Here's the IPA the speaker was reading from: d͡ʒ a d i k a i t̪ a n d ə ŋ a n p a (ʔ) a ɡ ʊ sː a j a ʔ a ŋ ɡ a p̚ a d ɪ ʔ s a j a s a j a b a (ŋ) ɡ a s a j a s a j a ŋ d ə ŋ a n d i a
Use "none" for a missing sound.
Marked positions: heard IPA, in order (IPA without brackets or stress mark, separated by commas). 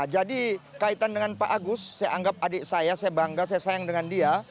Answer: ʔ, ŋ